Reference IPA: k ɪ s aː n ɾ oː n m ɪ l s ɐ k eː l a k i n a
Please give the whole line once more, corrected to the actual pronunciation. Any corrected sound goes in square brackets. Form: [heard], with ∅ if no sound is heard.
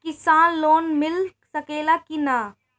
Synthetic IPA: k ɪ s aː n [l] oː n m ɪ l s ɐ k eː l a k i n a